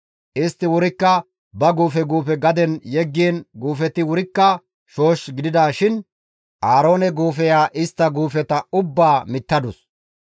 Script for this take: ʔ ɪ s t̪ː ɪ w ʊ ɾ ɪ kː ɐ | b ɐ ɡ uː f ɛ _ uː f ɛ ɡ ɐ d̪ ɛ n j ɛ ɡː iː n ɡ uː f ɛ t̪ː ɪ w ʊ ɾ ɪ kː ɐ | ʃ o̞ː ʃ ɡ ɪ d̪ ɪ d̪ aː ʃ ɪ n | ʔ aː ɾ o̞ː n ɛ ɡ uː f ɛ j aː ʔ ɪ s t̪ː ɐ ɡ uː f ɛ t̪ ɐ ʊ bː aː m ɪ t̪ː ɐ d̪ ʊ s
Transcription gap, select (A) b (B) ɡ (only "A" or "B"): B